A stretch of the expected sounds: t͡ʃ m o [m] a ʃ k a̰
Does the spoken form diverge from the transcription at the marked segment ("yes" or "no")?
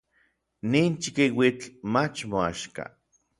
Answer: yes